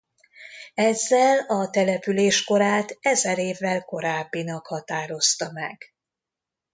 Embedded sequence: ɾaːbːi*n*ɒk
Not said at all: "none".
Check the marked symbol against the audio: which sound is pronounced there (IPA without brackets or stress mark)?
n